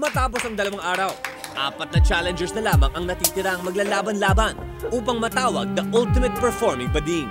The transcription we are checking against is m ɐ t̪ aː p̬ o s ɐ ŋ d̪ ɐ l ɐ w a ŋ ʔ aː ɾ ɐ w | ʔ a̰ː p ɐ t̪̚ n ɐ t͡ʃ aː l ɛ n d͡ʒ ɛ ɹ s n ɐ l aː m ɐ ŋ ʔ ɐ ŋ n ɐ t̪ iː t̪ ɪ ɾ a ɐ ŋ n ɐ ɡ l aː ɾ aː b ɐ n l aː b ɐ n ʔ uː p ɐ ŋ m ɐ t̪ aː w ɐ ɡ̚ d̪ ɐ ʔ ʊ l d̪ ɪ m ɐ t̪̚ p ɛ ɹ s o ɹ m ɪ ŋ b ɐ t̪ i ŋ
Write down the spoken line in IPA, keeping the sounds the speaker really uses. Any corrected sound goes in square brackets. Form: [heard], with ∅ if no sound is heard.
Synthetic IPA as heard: m ɐ t̪ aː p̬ o s ɐ ŋ d̪ ɐ l ɐ w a ŋ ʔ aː ɾ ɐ w | ʔ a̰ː p ɐ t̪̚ n ɐ t͡ʃ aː l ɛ n d͡ʒ ɛ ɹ s n ɐ l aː m ɐ ŋ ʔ ɐ ŋ n ɐ t̪ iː t̪ ɪ ɾ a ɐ ŋ [m] ɐ ɡ l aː [l] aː b ɐ n l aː b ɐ n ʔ uː p ɐ ŋ m ɐ t̪ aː w ɐ ɡ̚ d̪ ɐ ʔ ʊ l [t̪] ɪ m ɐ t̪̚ p ɛ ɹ [f] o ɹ m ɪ ŋ b ɐ [d̪] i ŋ